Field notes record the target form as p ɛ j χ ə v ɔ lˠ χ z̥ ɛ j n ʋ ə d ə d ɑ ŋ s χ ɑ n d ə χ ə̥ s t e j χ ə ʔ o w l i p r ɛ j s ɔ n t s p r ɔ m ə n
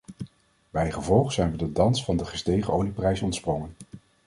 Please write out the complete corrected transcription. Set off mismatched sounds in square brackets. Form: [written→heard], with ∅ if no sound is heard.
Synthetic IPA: [p→b] ɛ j χ ə v ɔ lˠ χ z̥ ɛ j n ʋ ə d ə d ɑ [ŋ→n] s [χ→f] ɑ n d ə χ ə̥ s t e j χ ə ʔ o w l i p r ɛ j s ɔ n t s p r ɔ [m→ŋ] ə n

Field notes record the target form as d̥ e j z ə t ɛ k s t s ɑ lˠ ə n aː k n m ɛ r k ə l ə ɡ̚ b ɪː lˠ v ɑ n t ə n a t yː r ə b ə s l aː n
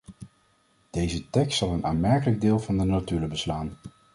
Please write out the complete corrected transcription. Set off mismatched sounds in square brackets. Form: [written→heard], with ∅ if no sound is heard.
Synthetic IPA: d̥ e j z ə t ɛ k s t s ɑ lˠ ə n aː [k→∅] n m ɛ [r→ɹ] k ə l ə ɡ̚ [b→d] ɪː lˠ v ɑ n [t→d] ə n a t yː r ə b ə s l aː n

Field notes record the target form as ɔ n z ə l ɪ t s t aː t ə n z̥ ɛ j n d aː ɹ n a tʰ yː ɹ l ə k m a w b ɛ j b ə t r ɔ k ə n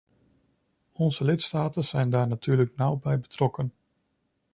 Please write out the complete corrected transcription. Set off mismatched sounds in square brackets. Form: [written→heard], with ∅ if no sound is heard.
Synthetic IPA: ɔ n z ə l ɪ t s t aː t ə n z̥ ɛ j n d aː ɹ n a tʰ yː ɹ l ə k [m→n] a w b ɛ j b ə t r ɔ k ə n

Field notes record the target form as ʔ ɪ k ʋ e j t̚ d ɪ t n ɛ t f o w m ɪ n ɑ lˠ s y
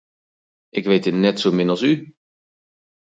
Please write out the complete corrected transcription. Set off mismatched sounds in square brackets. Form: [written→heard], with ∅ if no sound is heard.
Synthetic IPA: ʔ ɪ k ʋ e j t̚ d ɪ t n ɛ t [f→s] o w m ɪ n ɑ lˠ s y

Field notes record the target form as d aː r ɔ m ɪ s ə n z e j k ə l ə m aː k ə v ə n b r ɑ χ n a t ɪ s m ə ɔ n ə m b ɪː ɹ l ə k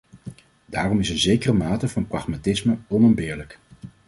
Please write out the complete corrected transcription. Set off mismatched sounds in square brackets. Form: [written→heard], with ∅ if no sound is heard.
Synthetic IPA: d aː r ɔ m ɪ s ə n z e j k ə [l→r] ə m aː [k→t] ə v [ə→ɑ] n [b→p] r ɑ χ [n→m] a t ɪ s m ə ɔ n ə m b ɪː ɹ l ə k

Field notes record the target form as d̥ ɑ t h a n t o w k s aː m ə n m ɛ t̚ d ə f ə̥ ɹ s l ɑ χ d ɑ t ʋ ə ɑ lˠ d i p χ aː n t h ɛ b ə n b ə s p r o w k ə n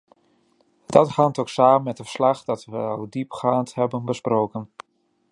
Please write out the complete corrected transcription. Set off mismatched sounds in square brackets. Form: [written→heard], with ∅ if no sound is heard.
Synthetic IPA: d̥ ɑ t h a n t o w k s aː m ə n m ɛ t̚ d ə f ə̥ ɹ s l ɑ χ d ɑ t ʋ ə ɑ lˠ d i p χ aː n t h ɛ b ə n b ə s p r o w k ə n

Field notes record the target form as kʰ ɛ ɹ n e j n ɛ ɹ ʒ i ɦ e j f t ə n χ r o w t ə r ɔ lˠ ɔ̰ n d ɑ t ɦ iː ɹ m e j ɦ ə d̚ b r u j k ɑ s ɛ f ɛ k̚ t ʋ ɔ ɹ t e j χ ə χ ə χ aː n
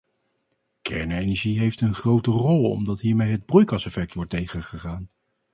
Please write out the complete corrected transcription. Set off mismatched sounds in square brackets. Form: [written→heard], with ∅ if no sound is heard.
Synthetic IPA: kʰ ɛ ɹ n e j n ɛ ɹ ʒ i ɦ e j f t ə n χ r o w t ə r ɔ lˠ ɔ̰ [n→m] d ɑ t ɦ iː ɹ m e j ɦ ə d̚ b r u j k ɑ s ɛ f ɛ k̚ t ʋ ɔ ɹ t e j χ ə χ ə χ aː n

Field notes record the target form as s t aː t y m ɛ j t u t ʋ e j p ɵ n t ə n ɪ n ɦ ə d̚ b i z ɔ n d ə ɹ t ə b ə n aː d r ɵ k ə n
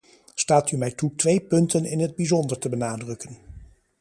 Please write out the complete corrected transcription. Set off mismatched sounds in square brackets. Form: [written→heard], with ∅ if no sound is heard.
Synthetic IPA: s t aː t y m ɛ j t u t ʋ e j p ɵ n t ə n ɪ n ɦ ə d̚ b i z ɔ n d ə ɹ t ə b ə n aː d r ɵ k ə n

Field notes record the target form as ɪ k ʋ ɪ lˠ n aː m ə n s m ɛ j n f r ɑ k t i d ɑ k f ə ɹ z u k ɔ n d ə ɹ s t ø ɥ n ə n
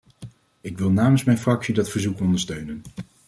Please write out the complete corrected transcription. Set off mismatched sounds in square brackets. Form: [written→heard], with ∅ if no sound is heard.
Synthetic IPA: ɪ k ʋ ɪ lˠ n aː m ə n s m ɛ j n f r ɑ k [t→s] i d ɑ [k→t] f ə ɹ z u k ɔ n d ə ɹ s t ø ɥ n ə n

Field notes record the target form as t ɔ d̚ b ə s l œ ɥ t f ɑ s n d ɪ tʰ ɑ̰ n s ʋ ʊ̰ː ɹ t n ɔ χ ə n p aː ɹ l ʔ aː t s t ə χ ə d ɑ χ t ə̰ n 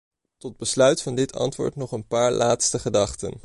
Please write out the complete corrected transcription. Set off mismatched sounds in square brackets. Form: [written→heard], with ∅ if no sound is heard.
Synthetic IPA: t ɔ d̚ b ə s l œ ɥ t f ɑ [s→∅] n d ɪ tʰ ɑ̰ n [s→t] ʋ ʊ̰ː ɹ t n ɔ χ ə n p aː ɹ l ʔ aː t s t ə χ ə d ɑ χ t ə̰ n

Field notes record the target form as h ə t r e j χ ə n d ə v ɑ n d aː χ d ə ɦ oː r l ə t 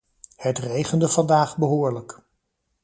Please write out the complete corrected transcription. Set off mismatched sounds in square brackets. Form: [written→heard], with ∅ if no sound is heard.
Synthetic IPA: h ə t r e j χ ə n d ə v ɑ n d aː χ [d→b] ə ɦ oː [r→ɹ] l ə [t→k]

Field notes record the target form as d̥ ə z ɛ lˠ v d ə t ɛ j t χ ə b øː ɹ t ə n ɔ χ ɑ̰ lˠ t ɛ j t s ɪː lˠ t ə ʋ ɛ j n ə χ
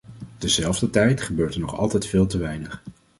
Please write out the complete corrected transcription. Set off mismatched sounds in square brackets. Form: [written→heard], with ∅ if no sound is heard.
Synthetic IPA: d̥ ə z ɛ lˠ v d ə t ɛ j t χ ə b øː ɹ t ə n ɔ χ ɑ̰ lˠ t ɛ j t [s→f] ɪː lˠ t ə ʋ ɛ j n ə χ

